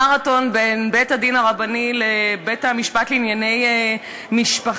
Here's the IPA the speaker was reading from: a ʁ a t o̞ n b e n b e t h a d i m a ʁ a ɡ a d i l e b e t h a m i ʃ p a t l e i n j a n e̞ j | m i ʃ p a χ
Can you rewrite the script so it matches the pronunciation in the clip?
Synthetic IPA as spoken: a ʁ a t o̞ n b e n b e t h a d i n a ʁ a b a n i l e b e t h a m i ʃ p a t l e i n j a n e̞ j | m i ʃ p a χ